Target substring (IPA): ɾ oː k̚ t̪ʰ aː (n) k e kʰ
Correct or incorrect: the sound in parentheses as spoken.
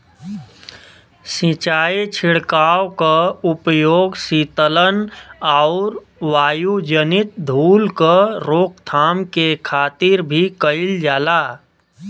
incorrect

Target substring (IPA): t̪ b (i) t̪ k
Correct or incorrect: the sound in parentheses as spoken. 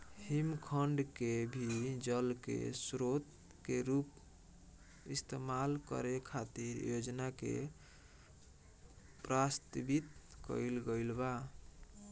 correct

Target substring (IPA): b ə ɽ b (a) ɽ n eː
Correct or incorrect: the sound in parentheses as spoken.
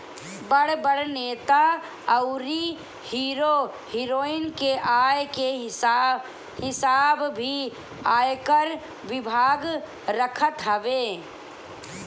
incorrect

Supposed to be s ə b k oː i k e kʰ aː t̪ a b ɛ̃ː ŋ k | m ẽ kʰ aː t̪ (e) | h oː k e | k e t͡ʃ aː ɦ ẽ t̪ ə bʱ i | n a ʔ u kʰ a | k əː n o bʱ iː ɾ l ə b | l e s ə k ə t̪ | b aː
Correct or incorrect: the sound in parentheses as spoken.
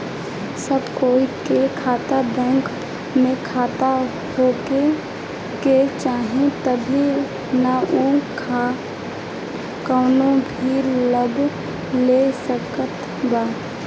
incorrect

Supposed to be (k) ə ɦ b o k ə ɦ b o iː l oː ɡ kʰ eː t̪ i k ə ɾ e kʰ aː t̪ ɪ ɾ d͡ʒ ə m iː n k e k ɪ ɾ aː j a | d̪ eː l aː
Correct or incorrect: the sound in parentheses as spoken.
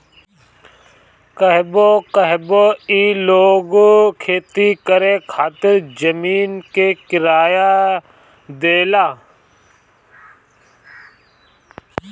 correct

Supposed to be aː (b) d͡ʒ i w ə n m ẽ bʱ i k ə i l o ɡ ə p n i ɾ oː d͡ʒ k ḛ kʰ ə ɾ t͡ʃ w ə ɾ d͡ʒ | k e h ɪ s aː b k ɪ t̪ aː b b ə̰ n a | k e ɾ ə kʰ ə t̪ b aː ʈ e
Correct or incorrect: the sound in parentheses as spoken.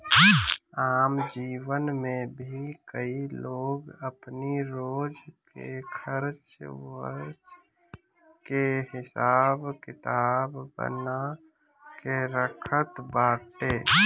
incorrect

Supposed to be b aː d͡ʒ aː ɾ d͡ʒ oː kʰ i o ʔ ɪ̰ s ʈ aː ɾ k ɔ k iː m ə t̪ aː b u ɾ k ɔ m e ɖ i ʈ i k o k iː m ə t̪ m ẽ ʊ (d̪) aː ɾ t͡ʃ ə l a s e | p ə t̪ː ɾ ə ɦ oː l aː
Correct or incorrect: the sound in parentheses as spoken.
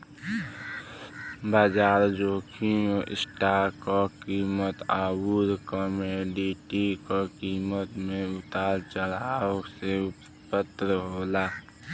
incorrect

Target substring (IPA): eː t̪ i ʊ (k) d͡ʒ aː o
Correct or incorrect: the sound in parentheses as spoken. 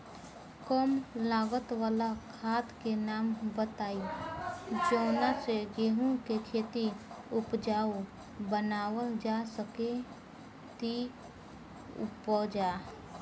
incorrect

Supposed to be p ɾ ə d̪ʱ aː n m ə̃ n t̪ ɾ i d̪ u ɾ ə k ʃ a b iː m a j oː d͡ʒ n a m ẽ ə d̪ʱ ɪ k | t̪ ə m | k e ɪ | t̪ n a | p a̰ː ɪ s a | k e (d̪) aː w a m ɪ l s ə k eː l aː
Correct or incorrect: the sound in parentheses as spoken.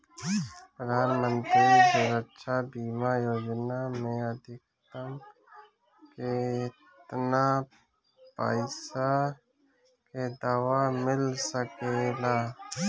correct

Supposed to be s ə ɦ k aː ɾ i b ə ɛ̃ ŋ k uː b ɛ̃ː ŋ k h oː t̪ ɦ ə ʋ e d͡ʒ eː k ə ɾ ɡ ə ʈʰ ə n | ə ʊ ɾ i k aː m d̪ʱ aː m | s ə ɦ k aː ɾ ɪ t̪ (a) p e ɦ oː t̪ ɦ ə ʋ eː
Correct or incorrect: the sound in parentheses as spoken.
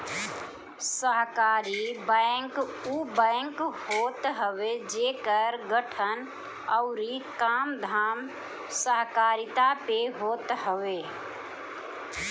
correct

